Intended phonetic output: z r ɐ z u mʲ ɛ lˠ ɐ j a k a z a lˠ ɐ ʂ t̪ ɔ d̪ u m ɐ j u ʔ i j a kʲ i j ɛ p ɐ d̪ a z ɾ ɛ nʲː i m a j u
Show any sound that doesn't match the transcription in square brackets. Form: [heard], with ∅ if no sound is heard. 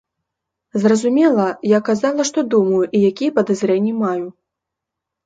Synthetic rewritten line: z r ɐ z u mʲ ɛ lˠ ɐ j a k a z a lˠ ɐ ʂ t̪ ɔ d̪ u m ɐ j u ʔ i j a kʲ i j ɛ p ɐ d̪ a z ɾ ɛ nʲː i m a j u